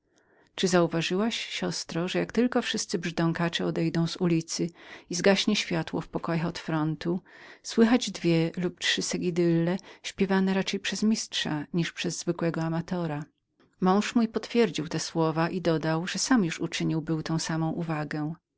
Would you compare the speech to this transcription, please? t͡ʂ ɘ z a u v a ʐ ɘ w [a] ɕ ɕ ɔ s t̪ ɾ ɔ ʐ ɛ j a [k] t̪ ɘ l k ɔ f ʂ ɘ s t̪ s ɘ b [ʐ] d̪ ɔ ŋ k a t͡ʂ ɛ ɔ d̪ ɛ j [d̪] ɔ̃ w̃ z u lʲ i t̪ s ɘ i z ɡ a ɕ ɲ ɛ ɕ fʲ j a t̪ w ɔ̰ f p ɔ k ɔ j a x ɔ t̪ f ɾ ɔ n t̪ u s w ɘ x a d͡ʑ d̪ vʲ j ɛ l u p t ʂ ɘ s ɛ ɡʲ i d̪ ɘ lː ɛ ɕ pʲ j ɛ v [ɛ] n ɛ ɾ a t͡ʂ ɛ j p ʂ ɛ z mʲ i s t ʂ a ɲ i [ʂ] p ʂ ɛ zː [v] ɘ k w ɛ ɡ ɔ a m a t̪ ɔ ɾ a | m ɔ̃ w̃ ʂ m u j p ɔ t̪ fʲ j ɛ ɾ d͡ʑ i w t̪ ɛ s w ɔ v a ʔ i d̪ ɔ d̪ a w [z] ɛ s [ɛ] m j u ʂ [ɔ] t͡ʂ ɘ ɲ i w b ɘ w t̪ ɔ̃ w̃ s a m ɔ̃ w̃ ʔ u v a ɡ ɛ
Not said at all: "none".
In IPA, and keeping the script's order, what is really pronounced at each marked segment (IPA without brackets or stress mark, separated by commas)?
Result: a, k, ʐ, d̪, a, ʂ, v, ʐ, a, u